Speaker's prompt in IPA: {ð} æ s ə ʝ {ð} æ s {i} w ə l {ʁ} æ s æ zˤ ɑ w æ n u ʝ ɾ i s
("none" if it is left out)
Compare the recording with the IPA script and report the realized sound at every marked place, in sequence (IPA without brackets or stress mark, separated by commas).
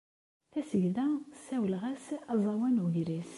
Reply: θ, ð, æ, ʁ